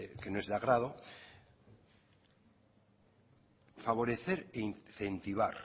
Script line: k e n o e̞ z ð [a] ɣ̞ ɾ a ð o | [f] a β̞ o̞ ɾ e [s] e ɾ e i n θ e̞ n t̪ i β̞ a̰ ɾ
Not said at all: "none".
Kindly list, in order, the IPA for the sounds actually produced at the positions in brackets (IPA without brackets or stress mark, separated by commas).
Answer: a, f, θ